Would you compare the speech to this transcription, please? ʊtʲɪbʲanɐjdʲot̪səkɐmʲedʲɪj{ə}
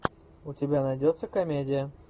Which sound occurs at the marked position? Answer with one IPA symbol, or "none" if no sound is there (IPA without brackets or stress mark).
ə